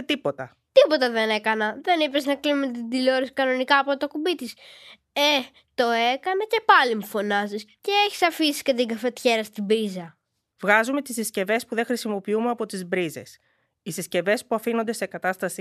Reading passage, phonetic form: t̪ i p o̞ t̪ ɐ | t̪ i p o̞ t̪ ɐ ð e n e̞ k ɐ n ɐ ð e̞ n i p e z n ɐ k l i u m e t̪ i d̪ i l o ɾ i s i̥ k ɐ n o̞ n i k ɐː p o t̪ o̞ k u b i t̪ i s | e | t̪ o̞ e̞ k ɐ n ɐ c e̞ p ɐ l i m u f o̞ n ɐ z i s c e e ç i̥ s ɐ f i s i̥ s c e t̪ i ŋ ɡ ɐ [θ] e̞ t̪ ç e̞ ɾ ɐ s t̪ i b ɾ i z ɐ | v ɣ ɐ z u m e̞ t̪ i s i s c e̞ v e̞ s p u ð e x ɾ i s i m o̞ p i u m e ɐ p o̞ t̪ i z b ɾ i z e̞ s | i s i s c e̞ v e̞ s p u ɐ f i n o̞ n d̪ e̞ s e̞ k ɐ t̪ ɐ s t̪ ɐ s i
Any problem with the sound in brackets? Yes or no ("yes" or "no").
yes